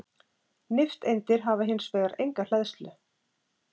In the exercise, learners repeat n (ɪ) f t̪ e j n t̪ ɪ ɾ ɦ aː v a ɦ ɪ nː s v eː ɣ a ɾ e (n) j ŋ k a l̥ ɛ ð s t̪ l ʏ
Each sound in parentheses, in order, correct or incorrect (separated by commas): correct, incorrect